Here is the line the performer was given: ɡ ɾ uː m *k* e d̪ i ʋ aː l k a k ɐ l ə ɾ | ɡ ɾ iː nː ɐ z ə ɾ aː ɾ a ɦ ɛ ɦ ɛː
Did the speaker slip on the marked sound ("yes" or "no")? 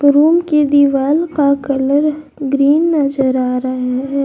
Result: no